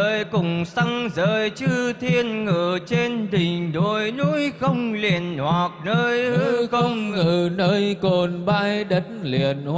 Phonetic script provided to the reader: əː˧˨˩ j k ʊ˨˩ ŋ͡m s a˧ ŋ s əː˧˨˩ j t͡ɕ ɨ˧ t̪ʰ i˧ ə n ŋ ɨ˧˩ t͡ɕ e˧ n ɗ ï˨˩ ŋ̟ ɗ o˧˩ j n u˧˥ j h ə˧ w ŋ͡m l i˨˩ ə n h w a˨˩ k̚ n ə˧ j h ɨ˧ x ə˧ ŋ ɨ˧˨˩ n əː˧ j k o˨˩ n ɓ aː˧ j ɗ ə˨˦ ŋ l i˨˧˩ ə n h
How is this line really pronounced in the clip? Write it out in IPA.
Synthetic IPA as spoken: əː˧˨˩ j k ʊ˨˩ ŋ͡m s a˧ ŋ z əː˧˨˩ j t͡ɕ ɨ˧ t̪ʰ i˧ ə n ŋ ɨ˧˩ t͡ɕ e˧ n ɗ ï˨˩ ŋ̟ ɗ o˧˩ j n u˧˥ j x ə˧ w ŋ͡m l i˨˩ ə n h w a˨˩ k̚ n əː˧ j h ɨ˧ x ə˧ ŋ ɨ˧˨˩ n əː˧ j k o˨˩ n ɓ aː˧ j ɗ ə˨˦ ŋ l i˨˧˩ ə n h

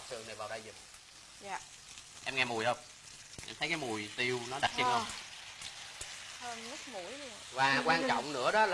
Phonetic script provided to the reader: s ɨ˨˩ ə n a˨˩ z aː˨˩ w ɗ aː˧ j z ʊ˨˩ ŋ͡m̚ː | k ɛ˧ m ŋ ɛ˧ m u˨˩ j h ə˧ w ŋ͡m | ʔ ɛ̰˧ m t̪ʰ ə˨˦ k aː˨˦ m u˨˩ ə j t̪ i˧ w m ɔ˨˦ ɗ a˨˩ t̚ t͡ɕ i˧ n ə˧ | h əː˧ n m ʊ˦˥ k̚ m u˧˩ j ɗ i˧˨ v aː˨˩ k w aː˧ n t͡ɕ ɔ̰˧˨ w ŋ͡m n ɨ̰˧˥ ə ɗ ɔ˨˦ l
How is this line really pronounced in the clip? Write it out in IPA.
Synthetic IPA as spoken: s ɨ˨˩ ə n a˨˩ v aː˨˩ w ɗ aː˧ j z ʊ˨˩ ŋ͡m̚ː | ʔ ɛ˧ m ŋ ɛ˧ m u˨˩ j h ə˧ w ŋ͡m | ʔ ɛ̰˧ m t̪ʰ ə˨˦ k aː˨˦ m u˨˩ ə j t̪ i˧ w n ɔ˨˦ ɗ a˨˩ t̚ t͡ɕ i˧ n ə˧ | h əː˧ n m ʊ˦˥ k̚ m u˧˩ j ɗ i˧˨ v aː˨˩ k w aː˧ n t͡ɕ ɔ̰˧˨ w ŋ͡m n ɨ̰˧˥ ə ɗ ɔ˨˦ l

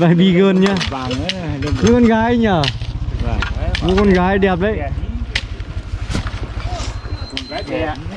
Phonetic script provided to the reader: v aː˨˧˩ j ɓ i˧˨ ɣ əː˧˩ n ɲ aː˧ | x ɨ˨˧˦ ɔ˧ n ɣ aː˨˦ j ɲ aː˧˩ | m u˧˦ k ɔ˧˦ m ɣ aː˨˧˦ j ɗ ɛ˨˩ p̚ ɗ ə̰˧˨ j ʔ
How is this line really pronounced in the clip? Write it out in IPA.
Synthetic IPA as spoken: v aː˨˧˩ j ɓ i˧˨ ɣ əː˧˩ n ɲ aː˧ | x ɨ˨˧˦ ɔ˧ n ɣ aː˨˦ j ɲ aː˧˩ | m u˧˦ k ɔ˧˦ n ɣ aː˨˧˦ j ɗ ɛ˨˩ p̚ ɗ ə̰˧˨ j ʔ

